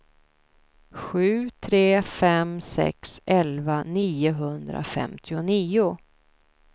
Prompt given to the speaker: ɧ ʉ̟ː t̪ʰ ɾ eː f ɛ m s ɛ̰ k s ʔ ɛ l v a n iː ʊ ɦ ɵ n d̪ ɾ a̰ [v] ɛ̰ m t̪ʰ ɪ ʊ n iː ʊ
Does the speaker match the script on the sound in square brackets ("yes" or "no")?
no